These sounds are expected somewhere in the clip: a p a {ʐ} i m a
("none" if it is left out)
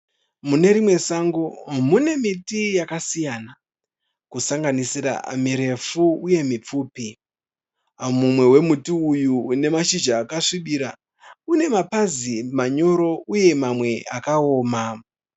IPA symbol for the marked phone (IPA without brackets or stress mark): z